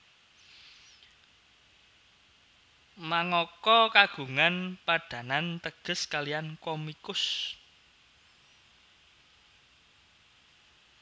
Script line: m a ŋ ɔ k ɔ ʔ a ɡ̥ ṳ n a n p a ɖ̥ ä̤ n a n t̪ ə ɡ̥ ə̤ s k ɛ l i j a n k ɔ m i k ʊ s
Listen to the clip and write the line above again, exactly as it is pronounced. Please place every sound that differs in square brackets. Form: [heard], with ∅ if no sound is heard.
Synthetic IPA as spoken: m a ŋ ɔ k ɔ [k] a ɡ̥ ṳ [ŋ] a n p a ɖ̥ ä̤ n a n t̪ ə ɡ̥ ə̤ s k [a] l i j a n k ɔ m i k ʊ s